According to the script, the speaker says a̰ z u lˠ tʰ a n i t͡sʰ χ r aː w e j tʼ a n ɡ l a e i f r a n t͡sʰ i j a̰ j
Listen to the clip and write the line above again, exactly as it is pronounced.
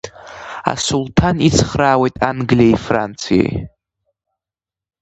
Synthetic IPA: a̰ s u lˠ tʰ a n i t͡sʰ χ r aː w e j tʼ a n ɡ l i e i f r a n t͡sʰ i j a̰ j